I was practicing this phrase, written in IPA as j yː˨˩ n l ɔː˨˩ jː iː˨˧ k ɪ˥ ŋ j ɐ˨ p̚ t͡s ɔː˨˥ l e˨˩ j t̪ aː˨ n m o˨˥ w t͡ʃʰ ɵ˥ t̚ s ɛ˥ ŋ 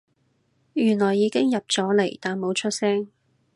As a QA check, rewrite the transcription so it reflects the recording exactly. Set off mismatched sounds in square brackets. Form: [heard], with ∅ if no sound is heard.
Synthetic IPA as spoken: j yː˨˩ n l ɔː˨˩ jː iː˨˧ k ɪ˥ ŋ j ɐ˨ p̚ t͡s ɔː˨˥ l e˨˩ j t̪ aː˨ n m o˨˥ w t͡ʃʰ ɵ˥ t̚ s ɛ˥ ŋ